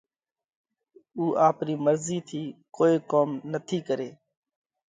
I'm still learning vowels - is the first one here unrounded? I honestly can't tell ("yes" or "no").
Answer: no